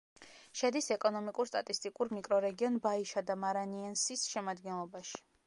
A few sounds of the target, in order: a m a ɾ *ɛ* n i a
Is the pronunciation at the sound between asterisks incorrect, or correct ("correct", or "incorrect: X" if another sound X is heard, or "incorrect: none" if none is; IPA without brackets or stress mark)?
incorrect: a